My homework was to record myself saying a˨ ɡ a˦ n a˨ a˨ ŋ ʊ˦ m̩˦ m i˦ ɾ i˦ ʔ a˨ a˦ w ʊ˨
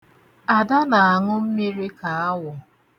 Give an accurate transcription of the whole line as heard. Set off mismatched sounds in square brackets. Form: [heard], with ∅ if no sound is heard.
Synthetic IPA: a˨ [d] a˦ n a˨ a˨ ŋ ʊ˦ m̩˦ m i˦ ɾ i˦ [k] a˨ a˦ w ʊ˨

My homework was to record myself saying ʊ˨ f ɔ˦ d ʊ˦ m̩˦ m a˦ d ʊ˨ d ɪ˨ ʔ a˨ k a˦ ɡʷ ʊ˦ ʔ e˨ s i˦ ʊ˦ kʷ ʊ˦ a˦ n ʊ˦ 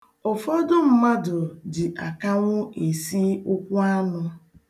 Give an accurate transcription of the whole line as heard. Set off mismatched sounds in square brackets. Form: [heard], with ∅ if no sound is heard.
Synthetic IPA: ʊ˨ f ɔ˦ d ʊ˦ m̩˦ m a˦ d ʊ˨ d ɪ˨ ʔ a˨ k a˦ [ŋʷ] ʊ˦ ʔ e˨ s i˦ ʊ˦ kʷ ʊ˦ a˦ n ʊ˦

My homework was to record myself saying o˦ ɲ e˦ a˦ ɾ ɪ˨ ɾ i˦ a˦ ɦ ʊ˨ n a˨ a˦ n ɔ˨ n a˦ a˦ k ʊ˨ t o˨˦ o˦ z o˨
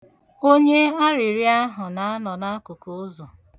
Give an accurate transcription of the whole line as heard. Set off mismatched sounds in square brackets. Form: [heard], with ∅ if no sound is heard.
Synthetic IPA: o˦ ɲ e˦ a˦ ɾ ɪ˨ ɾ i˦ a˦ ɦ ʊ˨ n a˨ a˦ n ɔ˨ n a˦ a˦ k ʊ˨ [k] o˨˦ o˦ z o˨

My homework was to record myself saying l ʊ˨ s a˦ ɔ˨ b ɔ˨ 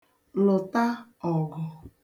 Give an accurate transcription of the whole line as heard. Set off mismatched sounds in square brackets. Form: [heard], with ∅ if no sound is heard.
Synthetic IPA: l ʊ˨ [t] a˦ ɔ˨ [ɡ] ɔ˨

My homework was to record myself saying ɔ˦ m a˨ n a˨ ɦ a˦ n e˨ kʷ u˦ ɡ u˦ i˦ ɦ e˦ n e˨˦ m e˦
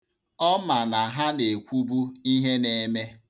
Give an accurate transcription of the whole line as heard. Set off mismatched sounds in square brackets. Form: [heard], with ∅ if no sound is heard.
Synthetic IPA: ɔ˦ m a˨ n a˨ ɦ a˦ n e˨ kʷ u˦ [b] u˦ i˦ ɦ e˦ n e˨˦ m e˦

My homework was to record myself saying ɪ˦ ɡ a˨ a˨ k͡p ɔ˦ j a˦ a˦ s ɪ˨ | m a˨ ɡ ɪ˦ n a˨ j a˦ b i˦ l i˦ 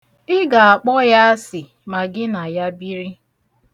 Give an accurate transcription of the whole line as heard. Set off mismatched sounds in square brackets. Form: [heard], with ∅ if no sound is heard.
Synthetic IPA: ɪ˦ ɡ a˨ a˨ k͡p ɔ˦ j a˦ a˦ s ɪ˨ | m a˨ ɡ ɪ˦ n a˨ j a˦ b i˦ [ɾ] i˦

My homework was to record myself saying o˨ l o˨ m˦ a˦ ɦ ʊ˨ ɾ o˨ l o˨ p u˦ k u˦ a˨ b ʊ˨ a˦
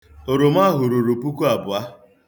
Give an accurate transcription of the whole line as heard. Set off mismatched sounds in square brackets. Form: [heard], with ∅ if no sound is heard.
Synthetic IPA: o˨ [ɾ] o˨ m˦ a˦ ɦ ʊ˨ ɾ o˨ [ɾ] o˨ p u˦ k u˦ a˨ b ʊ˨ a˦

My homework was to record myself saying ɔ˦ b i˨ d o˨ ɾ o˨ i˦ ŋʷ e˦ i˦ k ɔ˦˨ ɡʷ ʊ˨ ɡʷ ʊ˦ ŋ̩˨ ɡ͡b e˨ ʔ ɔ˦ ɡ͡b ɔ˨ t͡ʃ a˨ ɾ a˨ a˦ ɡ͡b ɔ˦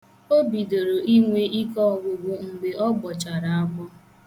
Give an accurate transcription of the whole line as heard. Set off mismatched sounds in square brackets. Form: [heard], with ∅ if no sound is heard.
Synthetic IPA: [o˦] b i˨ d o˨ ɾ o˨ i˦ ŋʷ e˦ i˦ k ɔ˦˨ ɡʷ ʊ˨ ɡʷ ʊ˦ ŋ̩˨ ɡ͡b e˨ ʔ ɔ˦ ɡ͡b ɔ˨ t͡ʃ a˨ ɾ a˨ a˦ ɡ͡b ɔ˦

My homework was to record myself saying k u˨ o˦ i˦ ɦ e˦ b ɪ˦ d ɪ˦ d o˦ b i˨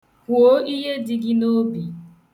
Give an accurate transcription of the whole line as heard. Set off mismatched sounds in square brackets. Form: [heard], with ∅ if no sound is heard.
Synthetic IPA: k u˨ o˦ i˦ ɦ e˦ [d] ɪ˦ [ɡ] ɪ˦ [n] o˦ b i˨

